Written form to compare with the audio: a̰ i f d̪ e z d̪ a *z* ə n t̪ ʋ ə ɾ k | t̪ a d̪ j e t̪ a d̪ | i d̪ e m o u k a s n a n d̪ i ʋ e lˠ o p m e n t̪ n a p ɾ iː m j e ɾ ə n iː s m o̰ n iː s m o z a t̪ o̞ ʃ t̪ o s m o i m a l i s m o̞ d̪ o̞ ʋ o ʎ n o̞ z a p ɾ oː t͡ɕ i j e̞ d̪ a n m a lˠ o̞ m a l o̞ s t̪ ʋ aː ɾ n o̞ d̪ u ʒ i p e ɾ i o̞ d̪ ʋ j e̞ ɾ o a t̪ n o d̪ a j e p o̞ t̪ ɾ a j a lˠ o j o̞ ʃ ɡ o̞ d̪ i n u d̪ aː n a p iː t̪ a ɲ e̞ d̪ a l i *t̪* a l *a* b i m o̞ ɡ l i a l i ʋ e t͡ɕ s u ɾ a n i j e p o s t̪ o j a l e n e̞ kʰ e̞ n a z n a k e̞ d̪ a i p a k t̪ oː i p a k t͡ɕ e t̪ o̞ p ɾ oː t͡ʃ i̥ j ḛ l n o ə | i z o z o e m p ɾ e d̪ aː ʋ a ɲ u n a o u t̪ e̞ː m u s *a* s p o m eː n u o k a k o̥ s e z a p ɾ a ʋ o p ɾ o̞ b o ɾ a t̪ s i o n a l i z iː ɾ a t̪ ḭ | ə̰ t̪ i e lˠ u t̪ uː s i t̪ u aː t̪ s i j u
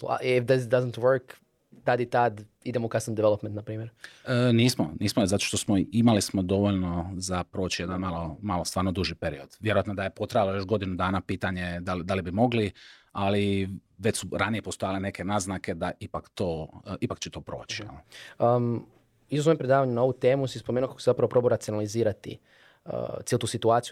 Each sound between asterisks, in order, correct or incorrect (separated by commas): correct, incorrect, incorrect, incorrect